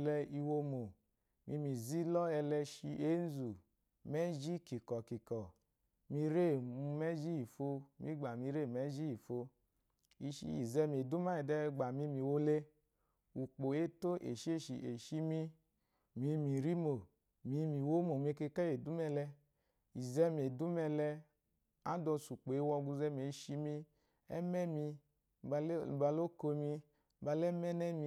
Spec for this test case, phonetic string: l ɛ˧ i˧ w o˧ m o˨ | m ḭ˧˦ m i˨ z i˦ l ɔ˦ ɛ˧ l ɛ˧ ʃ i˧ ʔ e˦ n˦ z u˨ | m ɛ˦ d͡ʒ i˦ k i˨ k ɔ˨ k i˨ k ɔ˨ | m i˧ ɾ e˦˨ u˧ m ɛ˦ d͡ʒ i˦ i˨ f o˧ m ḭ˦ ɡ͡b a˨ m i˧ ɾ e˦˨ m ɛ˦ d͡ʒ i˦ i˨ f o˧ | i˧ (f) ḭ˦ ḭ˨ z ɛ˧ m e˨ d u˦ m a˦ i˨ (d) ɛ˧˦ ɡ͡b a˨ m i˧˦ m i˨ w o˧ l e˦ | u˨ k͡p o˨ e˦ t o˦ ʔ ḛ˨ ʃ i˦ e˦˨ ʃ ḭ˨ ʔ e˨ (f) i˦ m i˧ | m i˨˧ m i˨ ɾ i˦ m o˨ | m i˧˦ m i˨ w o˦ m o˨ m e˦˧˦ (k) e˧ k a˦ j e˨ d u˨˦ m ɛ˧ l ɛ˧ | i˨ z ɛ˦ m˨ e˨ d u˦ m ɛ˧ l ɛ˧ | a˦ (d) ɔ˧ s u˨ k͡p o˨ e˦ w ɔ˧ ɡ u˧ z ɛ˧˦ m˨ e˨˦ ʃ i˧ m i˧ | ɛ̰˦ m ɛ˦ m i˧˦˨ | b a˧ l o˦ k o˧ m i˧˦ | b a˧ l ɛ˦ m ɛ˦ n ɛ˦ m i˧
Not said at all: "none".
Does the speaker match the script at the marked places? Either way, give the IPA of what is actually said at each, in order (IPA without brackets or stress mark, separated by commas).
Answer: ʃ, d, ʃ, k, d